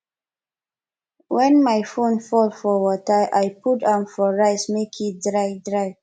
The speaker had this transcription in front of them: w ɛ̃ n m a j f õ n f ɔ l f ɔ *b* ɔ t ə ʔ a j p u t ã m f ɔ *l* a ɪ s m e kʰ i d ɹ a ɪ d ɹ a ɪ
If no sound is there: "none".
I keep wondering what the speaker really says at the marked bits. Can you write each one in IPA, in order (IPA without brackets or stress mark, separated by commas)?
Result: w, ɹ